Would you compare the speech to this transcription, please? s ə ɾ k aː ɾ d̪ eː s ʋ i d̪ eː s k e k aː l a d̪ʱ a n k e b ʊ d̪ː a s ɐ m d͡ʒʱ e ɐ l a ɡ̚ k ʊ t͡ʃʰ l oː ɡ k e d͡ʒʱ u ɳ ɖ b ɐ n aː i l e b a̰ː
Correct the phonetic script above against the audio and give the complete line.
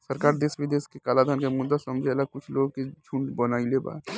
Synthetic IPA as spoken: s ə ɾ k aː ɾ d̪ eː s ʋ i d̪ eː s k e k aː l a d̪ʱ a n k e m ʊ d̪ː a s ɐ m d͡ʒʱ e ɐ l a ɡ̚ k ʊ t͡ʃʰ l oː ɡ k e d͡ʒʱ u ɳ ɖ b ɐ n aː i l e b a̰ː